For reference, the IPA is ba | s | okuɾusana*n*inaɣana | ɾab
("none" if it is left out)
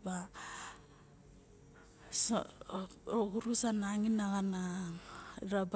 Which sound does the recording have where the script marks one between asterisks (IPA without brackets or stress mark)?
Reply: ŋ